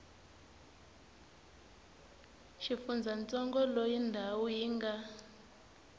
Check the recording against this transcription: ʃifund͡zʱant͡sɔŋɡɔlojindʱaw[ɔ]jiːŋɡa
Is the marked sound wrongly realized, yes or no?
yes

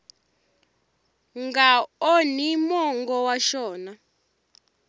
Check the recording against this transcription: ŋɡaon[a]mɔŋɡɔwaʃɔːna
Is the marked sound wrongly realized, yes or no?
yes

